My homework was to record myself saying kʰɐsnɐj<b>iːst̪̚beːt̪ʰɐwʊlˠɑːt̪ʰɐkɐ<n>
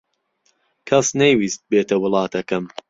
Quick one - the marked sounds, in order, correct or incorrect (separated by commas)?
incorrect, incorrect